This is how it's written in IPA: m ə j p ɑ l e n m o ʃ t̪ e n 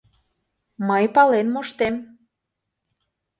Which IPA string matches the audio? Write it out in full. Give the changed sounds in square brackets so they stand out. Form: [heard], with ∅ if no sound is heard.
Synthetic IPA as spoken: m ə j p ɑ l e n m o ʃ t̪ e [m]